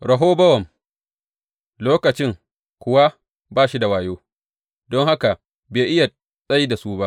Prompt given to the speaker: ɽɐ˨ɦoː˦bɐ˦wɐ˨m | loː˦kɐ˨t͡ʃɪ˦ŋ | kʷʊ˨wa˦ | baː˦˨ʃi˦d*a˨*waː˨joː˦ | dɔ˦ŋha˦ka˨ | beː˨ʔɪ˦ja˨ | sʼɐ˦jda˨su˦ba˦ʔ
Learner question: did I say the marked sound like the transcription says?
yes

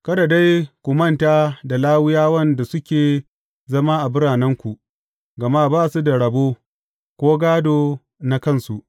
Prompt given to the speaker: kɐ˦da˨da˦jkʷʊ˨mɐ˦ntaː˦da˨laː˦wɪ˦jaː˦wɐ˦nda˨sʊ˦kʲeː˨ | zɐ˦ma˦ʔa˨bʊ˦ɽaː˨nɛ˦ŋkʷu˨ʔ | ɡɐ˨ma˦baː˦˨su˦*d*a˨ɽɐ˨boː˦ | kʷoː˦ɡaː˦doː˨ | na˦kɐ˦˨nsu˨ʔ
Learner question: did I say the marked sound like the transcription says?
yes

